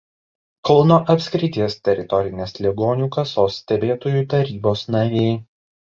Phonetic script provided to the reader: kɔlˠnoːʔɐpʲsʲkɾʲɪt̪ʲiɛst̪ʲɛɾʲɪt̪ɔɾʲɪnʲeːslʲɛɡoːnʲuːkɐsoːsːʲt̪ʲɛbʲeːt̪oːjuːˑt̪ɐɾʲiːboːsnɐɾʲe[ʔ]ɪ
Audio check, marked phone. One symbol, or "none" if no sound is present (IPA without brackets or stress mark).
none